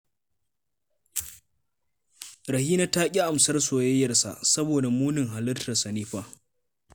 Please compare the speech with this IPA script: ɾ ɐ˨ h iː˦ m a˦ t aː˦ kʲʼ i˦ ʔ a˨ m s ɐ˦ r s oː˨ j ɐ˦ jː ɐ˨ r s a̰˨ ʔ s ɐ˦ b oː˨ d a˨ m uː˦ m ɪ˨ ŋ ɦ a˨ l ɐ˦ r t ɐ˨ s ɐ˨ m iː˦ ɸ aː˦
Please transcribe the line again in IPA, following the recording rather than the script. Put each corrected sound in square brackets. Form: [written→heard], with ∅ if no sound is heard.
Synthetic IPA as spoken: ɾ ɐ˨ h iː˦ [m→n] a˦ t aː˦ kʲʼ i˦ ʔ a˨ m s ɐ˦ r s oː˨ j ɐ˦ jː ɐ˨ r s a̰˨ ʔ s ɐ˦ b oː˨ d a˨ m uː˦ [m→n] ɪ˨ ŋ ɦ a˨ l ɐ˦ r t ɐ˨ s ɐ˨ [m→n] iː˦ ɸ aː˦